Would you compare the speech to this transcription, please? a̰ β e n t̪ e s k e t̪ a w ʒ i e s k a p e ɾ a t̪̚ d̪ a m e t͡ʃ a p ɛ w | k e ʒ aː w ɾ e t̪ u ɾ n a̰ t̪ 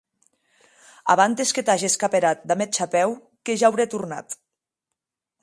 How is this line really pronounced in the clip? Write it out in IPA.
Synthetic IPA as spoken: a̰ β a n t̪ e s k e t̪ a ʒ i e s k a p e ɾ a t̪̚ d̪ a m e t͡ʃ a p ɛ w | k e ʒ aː w ɾ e t̪ u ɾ n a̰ t̪